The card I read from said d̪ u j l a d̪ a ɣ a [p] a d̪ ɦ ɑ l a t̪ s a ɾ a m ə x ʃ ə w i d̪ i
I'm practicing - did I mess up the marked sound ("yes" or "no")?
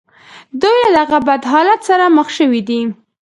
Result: yes